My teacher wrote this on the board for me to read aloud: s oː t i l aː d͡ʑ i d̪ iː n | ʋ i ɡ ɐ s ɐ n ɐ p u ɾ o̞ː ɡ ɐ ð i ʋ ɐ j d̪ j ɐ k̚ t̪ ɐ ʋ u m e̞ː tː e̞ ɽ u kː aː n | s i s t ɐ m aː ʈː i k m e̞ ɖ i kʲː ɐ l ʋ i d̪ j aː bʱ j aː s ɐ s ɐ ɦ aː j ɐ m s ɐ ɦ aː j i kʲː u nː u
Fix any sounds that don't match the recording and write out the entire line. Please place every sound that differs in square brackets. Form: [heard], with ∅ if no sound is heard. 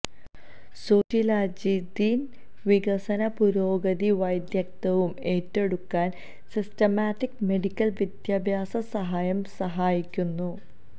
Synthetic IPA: s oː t i l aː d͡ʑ i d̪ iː n | ʋ i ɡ ɐ s ɐ n ɐ p u ɾ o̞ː ɡ ɐ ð i ʋ ɐ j d̪ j ɐ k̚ t̪ ɐ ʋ u m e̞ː tː e̞ ɽ u kː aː n | s i s t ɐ m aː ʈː i k m e̞ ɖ i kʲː ɐ l ʋ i d̪ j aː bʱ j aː s ɐ s ɐ ɦ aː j ɐ m s ɐ ɦ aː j i kʲː u nː u